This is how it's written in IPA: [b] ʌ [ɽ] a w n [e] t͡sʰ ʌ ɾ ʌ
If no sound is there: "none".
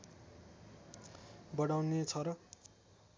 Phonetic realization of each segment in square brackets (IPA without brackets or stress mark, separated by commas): b, ɽ, e